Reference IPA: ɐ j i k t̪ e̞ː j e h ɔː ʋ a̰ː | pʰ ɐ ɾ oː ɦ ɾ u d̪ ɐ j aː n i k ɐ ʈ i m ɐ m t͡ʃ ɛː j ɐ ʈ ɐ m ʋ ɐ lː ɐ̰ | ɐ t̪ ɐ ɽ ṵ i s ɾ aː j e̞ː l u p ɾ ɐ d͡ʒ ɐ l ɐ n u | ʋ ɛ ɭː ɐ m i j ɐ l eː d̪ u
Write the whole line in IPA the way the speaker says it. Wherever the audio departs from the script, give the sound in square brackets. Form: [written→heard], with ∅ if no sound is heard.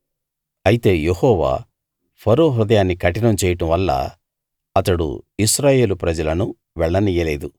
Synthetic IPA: ɐ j i [k→∅] t̪ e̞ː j e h ɔː ʋ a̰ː | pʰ ɐ ɾ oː ɦ ɾ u d̪ ɐ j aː [n→nː] i k ɐ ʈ i [m→n] ɐ m t͡ʃ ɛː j ɐ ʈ ɐ m ʋ ɐ lː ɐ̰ | ɐ t̪ ɐ ɽ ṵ i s ɾ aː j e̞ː l u p ɾ ɐ d͡ʒ ɐ l ɐ n u | ʋ ɛ ɭː ɐ [m→n] i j ɐ l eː d̪ u